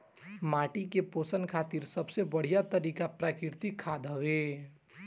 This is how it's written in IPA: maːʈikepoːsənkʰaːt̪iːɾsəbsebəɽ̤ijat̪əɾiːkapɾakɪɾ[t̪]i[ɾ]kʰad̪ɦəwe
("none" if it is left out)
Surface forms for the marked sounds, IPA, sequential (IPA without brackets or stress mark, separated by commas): t̪, none